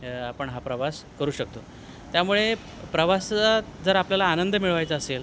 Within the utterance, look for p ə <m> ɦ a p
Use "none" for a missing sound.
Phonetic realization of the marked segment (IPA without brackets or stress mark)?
ɳ